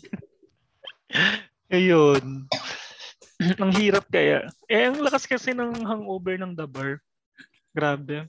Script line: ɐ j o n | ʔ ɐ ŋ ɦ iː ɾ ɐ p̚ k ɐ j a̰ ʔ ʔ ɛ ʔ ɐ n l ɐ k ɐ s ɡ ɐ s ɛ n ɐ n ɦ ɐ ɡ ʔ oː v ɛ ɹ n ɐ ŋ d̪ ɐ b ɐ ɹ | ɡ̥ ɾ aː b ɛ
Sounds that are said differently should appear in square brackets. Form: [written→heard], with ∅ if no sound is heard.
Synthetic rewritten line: ɐ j o n | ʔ ɐ ŋ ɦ iː ɾ ɐ p̚ k ɐ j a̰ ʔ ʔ ɛ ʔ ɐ [n→ŋ] l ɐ k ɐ s [ɡ→k] ɐ s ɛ n ɐ [n→ŋ] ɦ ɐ [ɡ→ŋ] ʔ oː [v→b] ɛ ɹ n ɐ ŋ d̪ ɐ b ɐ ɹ | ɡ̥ ɾ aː b ɛ